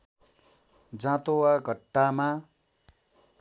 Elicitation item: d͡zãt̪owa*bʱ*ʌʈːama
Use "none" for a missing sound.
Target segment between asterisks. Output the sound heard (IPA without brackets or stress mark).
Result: ɡʱ